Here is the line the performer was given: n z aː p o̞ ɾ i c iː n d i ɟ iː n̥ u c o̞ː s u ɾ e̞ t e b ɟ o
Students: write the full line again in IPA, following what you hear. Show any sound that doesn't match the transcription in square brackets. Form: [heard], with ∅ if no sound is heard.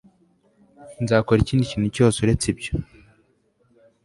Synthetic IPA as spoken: n z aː [k] o̞ ɾ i c iː n d i [c] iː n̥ u c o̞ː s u ɾ e̞ [t͡s] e b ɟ o